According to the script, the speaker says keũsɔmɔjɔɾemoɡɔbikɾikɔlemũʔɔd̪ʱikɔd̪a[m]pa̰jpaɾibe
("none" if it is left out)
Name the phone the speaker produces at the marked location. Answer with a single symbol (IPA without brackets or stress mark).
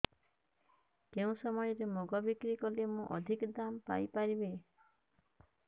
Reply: m